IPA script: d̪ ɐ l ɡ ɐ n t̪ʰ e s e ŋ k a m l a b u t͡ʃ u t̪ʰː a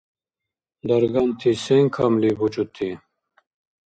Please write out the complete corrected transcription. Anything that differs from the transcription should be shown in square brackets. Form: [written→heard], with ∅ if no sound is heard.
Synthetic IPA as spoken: d̪ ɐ [l→ɾ] ɡ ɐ n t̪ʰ [e→i] s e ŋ [k→kʰ] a m l [a→i] b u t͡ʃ u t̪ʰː [a→i]